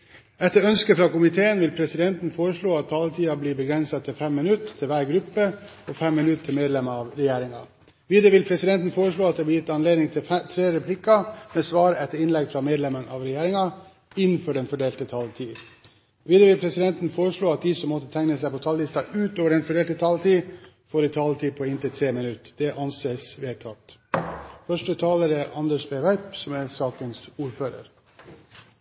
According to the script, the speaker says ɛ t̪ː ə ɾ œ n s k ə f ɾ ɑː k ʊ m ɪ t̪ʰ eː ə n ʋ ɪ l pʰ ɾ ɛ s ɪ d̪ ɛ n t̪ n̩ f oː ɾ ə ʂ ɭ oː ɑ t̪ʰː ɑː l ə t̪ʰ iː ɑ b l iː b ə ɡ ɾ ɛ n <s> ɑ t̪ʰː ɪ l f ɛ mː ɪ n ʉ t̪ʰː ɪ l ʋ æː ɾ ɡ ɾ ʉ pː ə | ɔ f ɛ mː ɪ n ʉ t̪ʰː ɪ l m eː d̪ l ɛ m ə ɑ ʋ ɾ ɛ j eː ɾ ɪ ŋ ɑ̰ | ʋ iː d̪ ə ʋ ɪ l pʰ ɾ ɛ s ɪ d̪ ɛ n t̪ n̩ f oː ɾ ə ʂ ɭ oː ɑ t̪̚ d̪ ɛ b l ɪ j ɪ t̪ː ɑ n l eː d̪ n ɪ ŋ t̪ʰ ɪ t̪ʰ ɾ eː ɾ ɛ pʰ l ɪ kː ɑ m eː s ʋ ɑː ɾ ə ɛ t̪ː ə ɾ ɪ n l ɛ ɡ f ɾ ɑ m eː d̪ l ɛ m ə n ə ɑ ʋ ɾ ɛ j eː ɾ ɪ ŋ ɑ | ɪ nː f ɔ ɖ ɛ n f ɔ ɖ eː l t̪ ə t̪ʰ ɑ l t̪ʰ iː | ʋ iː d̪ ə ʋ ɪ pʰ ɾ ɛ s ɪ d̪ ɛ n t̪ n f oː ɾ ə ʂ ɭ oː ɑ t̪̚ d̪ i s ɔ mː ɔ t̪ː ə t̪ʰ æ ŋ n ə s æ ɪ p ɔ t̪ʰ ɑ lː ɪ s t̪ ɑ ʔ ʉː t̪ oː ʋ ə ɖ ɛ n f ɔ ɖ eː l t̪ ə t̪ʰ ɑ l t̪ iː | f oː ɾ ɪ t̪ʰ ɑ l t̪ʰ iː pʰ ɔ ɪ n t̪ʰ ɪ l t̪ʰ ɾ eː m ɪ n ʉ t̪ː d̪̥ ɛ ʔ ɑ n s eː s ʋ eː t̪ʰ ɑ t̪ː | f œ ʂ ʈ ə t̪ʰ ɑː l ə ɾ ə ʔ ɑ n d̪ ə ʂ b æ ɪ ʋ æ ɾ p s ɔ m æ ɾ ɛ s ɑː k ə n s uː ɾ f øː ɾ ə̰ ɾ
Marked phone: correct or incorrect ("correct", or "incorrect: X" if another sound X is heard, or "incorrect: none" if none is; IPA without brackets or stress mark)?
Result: correct